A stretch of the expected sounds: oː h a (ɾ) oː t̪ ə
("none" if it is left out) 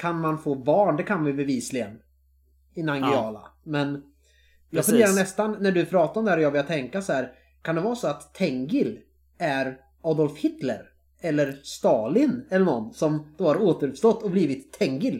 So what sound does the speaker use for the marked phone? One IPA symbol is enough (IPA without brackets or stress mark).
ɾ